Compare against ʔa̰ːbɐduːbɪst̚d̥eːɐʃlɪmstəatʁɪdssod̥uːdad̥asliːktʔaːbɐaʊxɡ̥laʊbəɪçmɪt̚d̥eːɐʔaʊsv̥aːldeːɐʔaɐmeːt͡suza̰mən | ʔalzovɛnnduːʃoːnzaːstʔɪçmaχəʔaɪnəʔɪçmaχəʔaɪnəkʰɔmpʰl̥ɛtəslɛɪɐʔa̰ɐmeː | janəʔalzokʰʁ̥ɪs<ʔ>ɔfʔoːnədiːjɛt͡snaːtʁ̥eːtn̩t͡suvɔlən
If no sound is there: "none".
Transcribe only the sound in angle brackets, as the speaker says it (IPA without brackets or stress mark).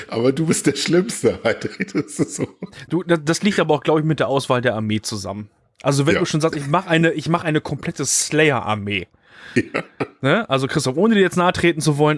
t